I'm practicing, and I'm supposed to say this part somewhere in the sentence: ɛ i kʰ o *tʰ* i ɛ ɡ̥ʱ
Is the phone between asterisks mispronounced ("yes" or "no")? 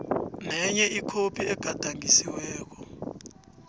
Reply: yes